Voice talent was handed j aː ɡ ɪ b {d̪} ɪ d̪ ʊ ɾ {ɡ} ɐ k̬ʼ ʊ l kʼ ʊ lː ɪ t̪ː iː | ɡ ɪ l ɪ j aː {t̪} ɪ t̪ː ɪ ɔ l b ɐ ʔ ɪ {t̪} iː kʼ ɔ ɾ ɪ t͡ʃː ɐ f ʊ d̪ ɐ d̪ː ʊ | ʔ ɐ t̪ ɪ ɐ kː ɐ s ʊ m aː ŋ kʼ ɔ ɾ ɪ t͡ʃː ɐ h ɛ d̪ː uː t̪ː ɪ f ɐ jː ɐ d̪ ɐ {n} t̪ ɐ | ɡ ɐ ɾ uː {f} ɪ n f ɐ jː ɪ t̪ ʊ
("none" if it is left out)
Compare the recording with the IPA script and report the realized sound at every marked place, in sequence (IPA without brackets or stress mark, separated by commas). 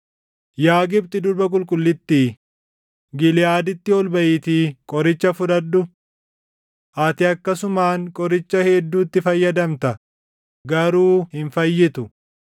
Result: t̪, b, d̪, t̪, m, h